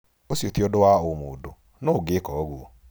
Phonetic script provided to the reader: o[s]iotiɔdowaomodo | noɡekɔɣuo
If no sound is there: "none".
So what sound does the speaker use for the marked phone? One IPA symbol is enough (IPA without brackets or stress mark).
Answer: s